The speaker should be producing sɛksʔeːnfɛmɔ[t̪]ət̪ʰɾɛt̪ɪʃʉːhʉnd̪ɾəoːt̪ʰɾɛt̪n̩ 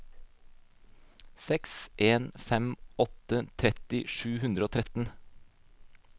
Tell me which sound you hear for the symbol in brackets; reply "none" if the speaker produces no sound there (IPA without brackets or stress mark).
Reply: t̪